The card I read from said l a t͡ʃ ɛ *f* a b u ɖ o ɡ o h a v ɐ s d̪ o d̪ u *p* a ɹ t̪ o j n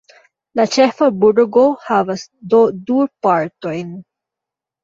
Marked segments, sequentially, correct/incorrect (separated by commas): correct, correct